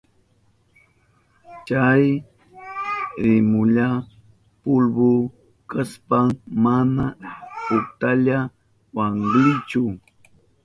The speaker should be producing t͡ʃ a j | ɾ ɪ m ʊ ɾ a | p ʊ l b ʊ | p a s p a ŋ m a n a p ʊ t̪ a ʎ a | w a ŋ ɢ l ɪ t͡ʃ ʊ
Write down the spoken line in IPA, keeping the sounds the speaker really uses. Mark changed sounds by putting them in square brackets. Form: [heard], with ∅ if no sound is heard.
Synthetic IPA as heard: t͡ʃ a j | ɾ ɪ m ʊ [ʎ] a | p ʊ l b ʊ | [k] a s p a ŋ m a n a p ʊ t̪ a ʎ a | w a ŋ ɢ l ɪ t͡ʃ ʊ